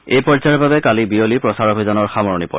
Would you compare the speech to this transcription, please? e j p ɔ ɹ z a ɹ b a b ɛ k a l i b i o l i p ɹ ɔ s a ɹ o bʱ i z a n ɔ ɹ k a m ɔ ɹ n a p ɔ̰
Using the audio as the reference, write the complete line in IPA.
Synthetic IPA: e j p ɔ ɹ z a ɹ b a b ɛ k a l i b i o l i p ɹ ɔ s a ɹ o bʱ i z a n ɔ ɹ x a m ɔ ɹ n i p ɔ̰